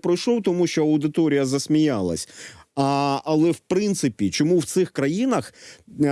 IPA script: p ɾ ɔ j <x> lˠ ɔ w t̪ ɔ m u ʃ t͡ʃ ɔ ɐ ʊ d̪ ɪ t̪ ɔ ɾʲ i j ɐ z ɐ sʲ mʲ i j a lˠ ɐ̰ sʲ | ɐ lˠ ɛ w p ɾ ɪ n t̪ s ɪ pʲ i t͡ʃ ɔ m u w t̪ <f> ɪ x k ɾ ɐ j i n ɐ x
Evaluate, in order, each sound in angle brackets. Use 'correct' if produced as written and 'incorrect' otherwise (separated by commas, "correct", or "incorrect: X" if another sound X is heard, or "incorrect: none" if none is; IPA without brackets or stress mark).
incorrect: ʃ, incorrect: s